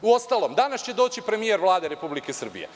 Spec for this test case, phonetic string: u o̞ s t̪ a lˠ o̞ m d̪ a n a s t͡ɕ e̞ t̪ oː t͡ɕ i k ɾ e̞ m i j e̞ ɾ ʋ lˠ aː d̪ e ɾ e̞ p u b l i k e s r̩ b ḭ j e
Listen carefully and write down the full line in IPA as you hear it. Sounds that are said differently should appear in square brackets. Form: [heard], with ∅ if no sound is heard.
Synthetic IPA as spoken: u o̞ s t̪ a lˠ o̞ m d̪ a n a s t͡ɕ e̞ [d̪] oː t͡ɕ i [p] ɾ e̞ m i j e̞ ɾ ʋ lˠ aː d̪ e ɾ e̞ p u b l i k e s r̩ b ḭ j e